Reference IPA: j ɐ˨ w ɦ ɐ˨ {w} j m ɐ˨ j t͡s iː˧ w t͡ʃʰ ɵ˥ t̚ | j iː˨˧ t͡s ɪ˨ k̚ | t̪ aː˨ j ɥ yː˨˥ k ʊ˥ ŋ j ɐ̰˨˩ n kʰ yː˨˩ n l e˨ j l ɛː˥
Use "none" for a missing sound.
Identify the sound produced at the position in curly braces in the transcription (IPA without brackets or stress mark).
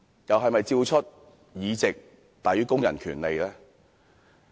none